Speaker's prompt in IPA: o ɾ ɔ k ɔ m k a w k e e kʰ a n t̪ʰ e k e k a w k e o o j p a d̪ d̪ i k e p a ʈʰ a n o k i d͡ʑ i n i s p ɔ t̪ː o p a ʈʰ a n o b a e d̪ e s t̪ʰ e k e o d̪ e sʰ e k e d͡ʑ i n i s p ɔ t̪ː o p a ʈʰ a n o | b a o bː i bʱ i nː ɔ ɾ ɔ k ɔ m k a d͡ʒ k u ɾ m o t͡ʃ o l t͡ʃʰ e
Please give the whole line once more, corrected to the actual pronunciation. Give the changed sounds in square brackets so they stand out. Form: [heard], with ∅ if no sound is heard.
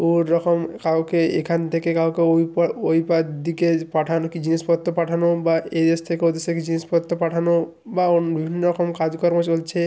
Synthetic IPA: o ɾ ɔ k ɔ m k a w k e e kʰ a n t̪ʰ e k e k a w k e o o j p a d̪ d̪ i k e p a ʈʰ a n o k i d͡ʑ i n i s p ɔ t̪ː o p a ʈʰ a n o b a e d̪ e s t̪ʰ e k e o d̪ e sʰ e k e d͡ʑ i n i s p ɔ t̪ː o p a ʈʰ a n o | b a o [b] i bʱ i nː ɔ ɾ ɔ k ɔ m k a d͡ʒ k [ɔ] ɾ m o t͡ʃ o l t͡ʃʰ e